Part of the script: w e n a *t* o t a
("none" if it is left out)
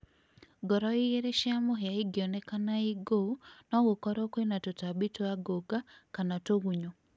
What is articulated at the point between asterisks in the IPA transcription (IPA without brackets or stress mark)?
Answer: t